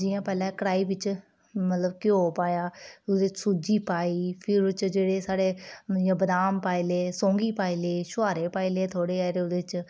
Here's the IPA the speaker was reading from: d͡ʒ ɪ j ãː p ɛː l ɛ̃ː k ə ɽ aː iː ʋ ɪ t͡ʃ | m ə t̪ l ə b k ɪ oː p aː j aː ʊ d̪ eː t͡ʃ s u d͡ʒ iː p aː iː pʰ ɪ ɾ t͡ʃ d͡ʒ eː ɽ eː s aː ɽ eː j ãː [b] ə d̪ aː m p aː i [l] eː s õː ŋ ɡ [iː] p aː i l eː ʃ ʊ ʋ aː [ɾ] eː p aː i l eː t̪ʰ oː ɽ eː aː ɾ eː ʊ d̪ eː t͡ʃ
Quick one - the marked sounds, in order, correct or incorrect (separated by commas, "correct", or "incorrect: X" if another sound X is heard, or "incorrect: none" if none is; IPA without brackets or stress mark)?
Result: correct, correct, correct, correct